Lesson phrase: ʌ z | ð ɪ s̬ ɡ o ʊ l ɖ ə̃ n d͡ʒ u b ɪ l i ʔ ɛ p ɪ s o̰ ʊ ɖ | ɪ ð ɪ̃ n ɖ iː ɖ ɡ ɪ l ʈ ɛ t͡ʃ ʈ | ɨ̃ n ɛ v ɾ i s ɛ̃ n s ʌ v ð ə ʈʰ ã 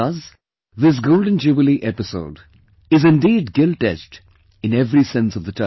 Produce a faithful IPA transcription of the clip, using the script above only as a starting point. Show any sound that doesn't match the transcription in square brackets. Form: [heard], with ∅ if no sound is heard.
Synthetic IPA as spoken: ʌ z | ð ɪ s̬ ɡ o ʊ l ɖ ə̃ n d͡ʒ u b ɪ l i ʔ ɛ p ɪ s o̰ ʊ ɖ | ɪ [z] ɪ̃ n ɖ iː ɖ ɡ ɪ l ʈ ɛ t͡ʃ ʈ | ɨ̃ n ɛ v ɾ i s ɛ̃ n s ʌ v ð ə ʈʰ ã